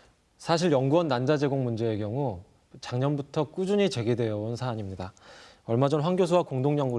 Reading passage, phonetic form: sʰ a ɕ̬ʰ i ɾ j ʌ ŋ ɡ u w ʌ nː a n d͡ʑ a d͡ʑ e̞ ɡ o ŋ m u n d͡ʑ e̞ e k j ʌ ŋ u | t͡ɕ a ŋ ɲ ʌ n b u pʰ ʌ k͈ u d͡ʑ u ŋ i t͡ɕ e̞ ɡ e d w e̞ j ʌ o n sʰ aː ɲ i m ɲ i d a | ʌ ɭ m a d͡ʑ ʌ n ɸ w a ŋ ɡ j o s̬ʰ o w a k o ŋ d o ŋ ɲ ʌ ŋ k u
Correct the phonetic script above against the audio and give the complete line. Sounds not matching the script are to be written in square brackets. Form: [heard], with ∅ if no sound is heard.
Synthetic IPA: sʰ a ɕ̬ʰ i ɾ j ʌ ŋ ɡ u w ʌ nː a n d͡ʑ a d͡ʑ e̞ ɡ o ŋ m u n d͡ʑ e̞ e k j ʌ ŋ u | t͡ɕ a ŋ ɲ ʌ n b u [tʰ] ʌ k͈ u d͡ʑ u [ɲ] i t͡ɕ e̞ ɡ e d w e̞ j ʌ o n sʰ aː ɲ i m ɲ i d a | ʌ ɭ m a d͡ʑ ʌ n ɸ w a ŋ ɡ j o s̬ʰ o w a k o ŋ d o ŋ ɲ ʌ ŋ [ɡ] u